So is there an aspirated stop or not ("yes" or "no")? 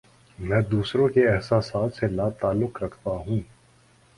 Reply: yes